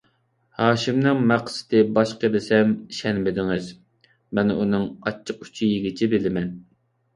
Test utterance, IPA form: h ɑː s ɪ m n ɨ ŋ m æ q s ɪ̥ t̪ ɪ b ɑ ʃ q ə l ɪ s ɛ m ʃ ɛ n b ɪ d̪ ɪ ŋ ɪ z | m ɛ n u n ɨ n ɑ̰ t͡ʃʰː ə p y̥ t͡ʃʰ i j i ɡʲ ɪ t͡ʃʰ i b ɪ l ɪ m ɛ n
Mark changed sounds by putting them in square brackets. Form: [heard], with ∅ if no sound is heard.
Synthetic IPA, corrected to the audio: h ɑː [ʃ] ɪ m n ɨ ŋ m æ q s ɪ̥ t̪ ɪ b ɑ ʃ q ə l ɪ s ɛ m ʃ ɛ n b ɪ d̪ ɪ ŋ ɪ z | m ɛ n u n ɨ [ŋ] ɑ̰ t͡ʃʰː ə [q] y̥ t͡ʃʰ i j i ɡʲ ɪ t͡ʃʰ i b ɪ l ɪ m ɛ n